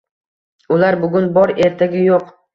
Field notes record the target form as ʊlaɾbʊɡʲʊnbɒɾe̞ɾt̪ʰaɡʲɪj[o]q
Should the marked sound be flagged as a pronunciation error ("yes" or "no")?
no